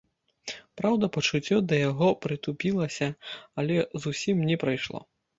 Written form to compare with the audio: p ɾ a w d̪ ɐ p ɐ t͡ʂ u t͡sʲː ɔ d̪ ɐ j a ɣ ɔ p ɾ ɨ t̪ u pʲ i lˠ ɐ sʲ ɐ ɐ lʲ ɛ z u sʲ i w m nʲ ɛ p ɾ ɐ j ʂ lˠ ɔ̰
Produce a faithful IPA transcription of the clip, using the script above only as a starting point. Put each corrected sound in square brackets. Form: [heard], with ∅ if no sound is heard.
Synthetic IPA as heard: p ɾ a w d̪ ɐ p ɐ t͡ʂ u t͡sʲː ɔ d̪ ɐ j a ɣ ɔ p ɾ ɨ t̪ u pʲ i lˠ ɐ sʲ ɐ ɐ lʲ ɛ z u sʲ i [∅] m nʲ ɛ p ɾ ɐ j ʂ lˠ ɔ̰

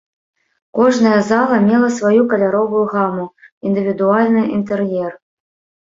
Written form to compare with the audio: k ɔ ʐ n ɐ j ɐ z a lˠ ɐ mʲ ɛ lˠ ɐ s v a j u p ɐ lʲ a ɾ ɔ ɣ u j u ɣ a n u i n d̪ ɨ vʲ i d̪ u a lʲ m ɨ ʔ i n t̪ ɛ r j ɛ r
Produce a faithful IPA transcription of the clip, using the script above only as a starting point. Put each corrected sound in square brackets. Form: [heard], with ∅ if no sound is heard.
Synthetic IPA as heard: k ɔ ʐ n ɐ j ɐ z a lˠ ɐ mʲ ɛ lˠ ɐ s v a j u [k] ɐ lʲ a ɾ ɔ [v] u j u ɣ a [m] u i n d̪ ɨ vʲ i d̪ u a lʲ [n] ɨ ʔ i n t̪ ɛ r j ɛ r

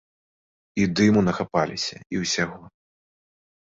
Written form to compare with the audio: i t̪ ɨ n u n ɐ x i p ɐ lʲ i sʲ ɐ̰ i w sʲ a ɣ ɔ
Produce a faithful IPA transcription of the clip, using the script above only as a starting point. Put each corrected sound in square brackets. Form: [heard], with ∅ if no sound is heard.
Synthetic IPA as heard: i [d̪] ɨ [m] u n ɐ x [a] p [a] lʲ i sʲ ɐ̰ i w sʲ a ɣ ɔ

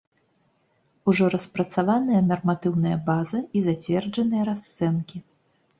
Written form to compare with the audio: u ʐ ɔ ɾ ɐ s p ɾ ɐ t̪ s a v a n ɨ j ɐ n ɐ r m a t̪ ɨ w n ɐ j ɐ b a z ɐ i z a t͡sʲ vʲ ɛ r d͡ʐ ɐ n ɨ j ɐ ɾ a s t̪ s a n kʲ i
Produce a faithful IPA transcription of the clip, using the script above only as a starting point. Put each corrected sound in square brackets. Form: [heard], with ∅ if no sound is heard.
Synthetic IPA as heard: u ʐ ɔ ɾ ɐ s p ɾ ɐ t̪ s a v a n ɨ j ɐ n ɐ r m a t̪ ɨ w n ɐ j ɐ b a z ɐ i z a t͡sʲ vʲ ɛ r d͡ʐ ɐ n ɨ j ɐ ɾ a s t̪ s [ɛ] n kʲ i

